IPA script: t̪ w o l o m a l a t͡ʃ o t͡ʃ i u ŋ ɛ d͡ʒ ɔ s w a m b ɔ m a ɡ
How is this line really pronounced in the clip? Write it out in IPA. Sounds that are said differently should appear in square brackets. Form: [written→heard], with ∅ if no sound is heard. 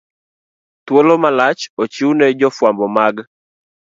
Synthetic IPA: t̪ w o l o m a l a t͡ʃ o t͡ʃ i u [ŋ→n] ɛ d͡ʒ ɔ [s→f] w a m b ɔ m a ɡ

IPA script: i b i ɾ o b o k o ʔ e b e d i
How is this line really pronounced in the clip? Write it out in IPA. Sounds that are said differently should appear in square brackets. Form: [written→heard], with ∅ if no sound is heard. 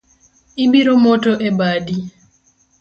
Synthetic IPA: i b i ɾ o [b→m] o [k→t] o ʔ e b [e→a] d i

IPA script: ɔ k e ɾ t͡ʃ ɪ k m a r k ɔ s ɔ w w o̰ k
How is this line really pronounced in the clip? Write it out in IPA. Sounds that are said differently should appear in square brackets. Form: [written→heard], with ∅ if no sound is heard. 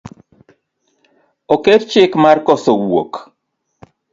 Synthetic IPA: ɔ k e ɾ t͡ʃ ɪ k m a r k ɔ s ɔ w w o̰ k

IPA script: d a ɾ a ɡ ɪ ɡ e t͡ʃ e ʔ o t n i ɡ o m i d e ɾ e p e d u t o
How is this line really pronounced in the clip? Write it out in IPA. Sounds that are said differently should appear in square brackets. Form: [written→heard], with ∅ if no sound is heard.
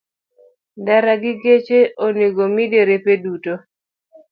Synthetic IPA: d a ɾ a ɡ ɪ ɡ e t͡ʃ e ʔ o [t→∅] n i ɡ o m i d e ɾ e p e d u t o

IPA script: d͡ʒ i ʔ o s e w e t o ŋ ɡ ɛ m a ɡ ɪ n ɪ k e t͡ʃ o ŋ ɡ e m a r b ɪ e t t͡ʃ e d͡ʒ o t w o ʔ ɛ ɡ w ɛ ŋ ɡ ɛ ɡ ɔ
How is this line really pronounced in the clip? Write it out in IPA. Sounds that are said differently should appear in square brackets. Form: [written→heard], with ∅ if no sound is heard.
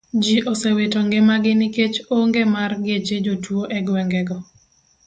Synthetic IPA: d͡ʒ i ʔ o s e w e t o ŋ ɡ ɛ m a ɡ ɪ n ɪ k e t͡ʃ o ŋ ɡ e m a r [b→ɡ] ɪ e [t→∅] t͡ʃ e d͡ʒ o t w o ʔ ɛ ɡ w ɛ ŋ ɡ ɛ ɡ ɔ

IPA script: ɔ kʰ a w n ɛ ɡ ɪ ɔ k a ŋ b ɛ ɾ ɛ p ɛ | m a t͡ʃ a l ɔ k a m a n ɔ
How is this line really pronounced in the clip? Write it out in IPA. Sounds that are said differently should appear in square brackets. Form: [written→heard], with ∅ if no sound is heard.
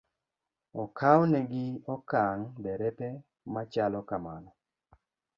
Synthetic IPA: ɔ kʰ a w n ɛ ɡ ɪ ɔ k a ŋ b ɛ ɾ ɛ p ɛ | m a t͡ʃ a l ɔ k a m a n ɔ

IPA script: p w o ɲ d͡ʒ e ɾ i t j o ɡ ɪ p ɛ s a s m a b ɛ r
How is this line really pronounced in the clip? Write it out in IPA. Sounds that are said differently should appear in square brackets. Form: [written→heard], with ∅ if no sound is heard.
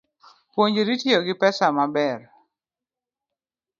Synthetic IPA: p w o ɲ d͡ʒ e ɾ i t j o ɡ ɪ p ɛ s a [s→∅] m a b ɛ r

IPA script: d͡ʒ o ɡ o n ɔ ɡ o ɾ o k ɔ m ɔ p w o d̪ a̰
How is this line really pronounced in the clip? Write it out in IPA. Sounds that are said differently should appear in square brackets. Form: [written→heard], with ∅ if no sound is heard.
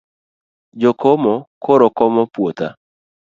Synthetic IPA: d͡ʒ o [ɡ→k] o [n→m] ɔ [ɡ→k] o ɾ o k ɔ m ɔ p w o [d̪→t̪] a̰

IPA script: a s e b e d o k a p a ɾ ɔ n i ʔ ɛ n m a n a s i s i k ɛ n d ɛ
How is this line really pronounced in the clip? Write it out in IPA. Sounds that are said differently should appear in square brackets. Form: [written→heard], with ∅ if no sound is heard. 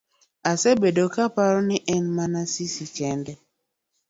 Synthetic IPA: a s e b e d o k a p a ɾ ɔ n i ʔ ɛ n m a n a s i s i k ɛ n d ɛ

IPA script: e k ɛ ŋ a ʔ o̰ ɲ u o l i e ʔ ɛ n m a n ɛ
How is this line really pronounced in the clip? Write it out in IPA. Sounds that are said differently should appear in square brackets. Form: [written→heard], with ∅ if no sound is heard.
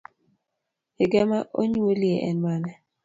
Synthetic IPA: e [k→ɡ] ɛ [ŋ→m] a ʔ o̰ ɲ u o l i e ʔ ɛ n m a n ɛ

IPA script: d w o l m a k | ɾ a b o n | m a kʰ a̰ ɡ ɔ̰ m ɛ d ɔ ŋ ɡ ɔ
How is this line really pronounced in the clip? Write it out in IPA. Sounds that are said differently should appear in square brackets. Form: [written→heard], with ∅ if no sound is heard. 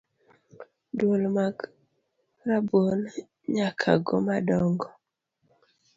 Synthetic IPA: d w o l m a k | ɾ a b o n | [m→ɲ] a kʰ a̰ ɡ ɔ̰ m [ɛ→a] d ɔ ŋ ɡ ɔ

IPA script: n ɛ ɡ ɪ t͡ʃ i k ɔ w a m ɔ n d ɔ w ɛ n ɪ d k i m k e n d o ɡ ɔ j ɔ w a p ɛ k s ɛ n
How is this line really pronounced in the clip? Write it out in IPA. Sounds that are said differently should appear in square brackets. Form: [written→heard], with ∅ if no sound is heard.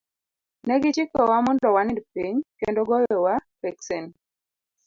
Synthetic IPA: n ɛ ɡ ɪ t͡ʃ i k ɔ w a m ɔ n d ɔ w [ɛ→a] n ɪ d [k→p] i [m→ɲ] k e n d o ɡ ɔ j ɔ w a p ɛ k s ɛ n

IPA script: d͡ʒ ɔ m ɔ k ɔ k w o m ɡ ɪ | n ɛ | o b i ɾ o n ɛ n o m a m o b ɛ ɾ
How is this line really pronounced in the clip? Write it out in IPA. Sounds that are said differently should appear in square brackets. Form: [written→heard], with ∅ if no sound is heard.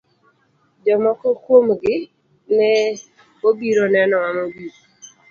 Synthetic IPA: d͡ʒ ɔ m ɔ k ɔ k w o m ɡ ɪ | n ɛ | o b i ɾ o n ɛ n [o→ɔ] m a m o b [ɛ→i] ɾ

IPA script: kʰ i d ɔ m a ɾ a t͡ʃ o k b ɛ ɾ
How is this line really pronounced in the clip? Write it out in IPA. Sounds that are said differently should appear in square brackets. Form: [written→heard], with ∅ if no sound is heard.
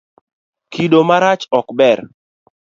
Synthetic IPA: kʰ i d [ɔ→o] m a ɾ a t͡ʃ [o→ɔ] k b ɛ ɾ

